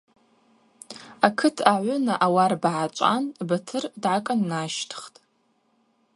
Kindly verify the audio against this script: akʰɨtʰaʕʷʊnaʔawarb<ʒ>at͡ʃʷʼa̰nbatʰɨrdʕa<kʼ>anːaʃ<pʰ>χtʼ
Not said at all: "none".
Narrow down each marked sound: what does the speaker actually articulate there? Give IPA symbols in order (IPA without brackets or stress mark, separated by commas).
ʕ, kʼ, tʰ